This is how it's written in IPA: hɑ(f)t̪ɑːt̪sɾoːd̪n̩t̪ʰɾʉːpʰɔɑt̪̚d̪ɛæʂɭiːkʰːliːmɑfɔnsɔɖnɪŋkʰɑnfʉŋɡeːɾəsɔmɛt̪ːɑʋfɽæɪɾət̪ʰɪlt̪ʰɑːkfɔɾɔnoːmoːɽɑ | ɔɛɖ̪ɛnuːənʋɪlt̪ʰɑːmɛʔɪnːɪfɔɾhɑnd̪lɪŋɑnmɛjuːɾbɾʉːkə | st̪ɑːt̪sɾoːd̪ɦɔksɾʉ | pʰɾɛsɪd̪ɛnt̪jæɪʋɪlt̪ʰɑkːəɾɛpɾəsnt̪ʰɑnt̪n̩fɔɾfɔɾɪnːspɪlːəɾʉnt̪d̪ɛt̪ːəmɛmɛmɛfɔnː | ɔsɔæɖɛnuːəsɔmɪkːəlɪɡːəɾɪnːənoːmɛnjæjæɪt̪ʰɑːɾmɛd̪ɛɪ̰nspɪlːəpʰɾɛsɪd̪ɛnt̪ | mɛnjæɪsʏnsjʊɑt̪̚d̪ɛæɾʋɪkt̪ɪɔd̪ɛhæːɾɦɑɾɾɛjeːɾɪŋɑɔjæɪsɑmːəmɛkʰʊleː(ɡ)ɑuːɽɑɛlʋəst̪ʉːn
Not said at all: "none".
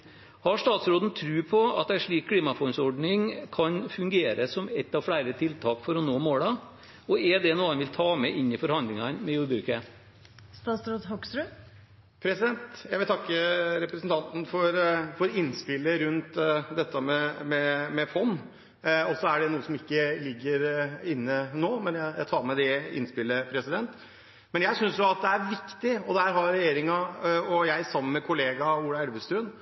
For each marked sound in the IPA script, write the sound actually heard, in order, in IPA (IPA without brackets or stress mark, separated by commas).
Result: ʂ, ɡ